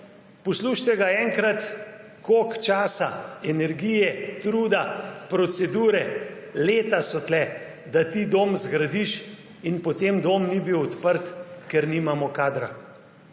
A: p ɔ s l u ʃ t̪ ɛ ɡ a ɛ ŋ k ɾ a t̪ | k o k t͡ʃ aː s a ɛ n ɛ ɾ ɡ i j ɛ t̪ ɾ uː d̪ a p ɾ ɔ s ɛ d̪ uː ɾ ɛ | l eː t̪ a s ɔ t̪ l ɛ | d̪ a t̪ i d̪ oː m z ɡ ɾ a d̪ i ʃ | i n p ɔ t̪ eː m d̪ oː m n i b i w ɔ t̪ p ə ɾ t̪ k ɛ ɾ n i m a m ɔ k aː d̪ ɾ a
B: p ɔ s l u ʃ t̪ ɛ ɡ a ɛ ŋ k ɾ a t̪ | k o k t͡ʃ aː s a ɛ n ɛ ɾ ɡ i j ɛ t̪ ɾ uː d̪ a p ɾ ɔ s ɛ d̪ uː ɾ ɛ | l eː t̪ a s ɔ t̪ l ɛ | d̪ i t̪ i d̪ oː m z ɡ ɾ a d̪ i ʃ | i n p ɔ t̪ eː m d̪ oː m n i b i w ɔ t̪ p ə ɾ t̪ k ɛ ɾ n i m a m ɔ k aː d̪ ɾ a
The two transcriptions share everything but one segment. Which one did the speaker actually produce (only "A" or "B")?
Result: A